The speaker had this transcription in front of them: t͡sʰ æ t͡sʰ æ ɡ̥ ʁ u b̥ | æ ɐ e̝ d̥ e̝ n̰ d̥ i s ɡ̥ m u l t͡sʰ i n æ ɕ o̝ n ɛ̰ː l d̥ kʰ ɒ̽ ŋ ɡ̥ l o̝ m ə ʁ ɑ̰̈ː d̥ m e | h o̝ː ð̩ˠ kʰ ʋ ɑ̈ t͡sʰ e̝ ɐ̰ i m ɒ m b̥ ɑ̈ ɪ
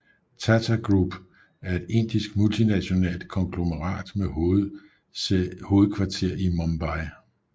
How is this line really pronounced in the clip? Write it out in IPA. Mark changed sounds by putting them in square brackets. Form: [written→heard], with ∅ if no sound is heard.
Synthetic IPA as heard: t͡sʰ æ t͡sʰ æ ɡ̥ ʁ u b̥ | æ ɐ e̝ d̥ e̝ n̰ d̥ i s ɡ̥ m u l t͡sʰ i n æ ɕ o̝ n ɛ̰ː l d̥ kʰ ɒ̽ ŋ ɡ̥ l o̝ m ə ʁ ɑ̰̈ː d̥ m e | h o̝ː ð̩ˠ kʰ ʋ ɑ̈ t͡sʰ e̝ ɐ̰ i m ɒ m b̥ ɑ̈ ɪ